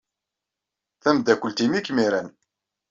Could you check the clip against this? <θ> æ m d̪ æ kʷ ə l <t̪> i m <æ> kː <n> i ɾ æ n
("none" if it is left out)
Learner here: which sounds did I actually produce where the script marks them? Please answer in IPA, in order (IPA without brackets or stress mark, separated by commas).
θ, t̪, i, m